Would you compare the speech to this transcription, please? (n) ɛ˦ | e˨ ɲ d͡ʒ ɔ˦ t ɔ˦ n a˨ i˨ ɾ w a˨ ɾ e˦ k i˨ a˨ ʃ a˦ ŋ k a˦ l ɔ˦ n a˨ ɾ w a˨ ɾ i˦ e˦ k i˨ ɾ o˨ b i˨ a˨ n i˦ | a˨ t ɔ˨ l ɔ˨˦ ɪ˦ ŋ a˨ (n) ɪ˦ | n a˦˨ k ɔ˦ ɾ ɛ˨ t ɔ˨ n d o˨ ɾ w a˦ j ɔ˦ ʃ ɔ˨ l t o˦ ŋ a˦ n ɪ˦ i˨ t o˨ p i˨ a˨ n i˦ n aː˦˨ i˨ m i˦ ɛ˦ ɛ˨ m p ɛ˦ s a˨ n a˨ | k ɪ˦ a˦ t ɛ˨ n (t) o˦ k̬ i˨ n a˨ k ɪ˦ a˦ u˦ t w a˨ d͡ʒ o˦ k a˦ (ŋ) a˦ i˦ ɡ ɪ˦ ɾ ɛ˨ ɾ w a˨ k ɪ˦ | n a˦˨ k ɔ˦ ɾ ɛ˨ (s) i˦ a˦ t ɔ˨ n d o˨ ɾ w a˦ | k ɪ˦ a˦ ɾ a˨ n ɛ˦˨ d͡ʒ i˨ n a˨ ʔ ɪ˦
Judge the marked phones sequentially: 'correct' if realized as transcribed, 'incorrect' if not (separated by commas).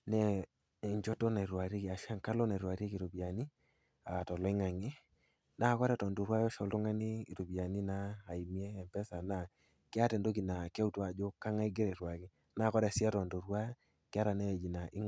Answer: correct, incorrect, incorrect, correct, correct